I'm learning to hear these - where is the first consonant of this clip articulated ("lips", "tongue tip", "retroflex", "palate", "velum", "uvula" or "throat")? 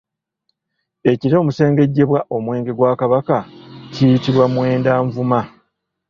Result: palate